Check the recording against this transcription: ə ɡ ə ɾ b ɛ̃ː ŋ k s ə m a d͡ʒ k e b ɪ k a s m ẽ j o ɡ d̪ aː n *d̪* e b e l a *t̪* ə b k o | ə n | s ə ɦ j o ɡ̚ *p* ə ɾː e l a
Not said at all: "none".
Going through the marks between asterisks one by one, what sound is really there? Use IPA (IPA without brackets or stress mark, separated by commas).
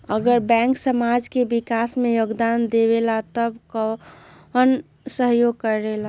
d̪, t̪, k